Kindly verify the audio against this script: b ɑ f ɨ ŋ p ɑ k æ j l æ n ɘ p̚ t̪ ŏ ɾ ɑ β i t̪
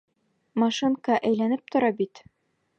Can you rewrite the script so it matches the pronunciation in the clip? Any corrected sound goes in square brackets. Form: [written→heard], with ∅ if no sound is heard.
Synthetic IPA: [b→m] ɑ [f→ʃ] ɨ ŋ [p→k] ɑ [k→ʔ] æ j l æ n ɘ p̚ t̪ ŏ ɾ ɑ [β→b] i t̪